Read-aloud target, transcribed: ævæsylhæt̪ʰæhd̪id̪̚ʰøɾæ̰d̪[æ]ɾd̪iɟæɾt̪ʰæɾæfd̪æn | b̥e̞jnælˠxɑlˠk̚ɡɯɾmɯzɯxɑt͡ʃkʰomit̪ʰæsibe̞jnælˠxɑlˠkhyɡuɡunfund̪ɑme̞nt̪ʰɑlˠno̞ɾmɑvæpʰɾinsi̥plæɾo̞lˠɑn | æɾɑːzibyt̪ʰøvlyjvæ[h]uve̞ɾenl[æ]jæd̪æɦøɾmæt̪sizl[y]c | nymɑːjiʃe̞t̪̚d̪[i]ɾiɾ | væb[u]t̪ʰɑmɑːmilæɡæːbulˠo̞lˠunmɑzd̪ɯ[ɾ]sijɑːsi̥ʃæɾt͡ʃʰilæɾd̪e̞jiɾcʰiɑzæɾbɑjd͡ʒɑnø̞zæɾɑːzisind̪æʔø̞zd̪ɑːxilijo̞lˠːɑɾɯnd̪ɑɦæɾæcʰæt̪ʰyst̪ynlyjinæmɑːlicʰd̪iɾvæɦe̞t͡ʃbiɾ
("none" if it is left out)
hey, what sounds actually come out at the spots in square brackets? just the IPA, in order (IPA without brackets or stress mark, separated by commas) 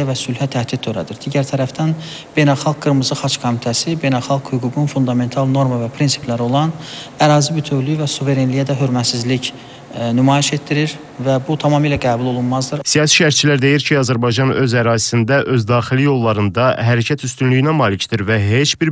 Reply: i, s, i, i, i, u, ɾ